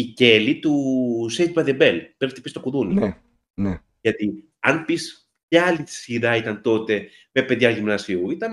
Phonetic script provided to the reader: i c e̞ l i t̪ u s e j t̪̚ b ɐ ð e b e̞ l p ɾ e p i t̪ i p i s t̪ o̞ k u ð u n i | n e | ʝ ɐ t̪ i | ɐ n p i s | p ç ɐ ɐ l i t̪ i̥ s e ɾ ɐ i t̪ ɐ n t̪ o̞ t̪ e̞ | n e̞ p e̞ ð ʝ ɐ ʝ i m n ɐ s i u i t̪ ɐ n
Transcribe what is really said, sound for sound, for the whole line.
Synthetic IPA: i c e̞ l i t̪ u s e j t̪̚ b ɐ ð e b e̞ l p ɾ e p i t̪ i p i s t̪ o̞ k u ð u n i | n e | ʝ ɐ t̪ i | ɐ n p i s | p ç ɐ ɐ l i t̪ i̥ s i ɾ ɐ i t̪ ɐ n t̪ o̞ t̪ e̞ | m e̞ p e̞ ð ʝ ɐ ʝ i m n ɐ s i u i t̪ ɐ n